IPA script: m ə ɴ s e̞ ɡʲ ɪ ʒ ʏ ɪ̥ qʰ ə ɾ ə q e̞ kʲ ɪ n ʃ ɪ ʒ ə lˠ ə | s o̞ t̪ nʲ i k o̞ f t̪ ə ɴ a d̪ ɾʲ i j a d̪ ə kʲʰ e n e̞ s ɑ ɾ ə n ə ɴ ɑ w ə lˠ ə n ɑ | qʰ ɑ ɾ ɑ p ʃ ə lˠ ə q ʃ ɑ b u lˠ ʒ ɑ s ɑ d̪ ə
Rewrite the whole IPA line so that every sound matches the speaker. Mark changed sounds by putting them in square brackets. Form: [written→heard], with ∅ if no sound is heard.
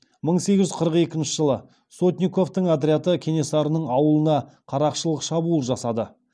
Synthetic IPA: m ə ɴ s e̞ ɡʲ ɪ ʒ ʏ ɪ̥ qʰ ə ɾ ə q e̞ kʲ ɪ n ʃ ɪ ʒ ə lˠ ə | s o̞ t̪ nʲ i k o̞ f t̪ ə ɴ a d̪ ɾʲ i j a [d̪→t̪] ə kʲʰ e n e̞ s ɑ ɾ ə n ə ɴ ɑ w ə lˠ ə n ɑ | qʰ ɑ ɾ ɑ [p→q] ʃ ə lˠ ə q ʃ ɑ b u lˠ ʒ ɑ s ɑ d̪ ə